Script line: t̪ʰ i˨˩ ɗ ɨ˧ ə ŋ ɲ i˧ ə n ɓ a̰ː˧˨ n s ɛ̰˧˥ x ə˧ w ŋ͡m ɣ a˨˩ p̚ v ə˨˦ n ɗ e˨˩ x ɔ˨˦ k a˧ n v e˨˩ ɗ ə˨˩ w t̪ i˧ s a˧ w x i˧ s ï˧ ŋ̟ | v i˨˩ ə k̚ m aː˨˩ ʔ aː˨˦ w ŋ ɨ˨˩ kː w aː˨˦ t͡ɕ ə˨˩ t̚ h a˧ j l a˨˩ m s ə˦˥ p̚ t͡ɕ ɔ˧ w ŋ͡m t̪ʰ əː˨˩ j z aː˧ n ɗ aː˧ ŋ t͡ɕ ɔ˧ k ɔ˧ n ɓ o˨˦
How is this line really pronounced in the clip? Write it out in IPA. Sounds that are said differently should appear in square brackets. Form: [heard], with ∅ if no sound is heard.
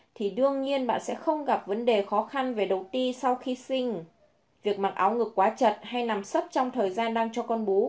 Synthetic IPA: t̪ʰ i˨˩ ɗ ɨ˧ ə ŋ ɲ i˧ ə n ɓ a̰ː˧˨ n s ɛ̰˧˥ x ə˧ w ŋ͡m ɣ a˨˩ p̚ v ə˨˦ n ɗ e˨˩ x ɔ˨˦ [x] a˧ n v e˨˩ ɗ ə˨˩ w t̪ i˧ s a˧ w x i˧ s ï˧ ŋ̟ | v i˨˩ ə k̚ m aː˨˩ ʔ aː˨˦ w ŋ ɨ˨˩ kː w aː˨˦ t͡ɕ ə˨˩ t̚ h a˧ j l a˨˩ m s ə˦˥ p̚ t͡ɕ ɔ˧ w ŋ͡m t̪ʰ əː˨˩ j z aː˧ n ɗ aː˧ ŋ t͡ɕ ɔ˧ k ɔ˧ n ɓ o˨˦